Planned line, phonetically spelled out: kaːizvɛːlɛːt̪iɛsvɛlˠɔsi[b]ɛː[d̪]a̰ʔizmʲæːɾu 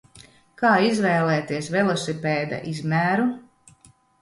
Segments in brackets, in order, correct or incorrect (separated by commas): incorrect, correct